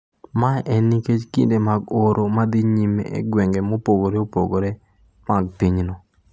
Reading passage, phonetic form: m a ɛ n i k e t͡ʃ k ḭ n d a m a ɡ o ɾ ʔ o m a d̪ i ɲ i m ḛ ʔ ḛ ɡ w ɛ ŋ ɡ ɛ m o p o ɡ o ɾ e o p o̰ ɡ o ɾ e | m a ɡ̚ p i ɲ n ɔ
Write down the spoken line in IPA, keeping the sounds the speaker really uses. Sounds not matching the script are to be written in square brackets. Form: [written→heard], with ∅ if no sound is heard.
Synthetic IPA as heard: m a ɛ n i k e t͡ʃ k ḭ n d [a→e] m a ɡ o ɾ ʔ o m a d̪ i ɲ i m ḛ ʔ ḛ ɡ w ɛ ŋ ɡ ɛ m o p o ɡ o ɾ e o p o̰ ɡ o ɾ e | m a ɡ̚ p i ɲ n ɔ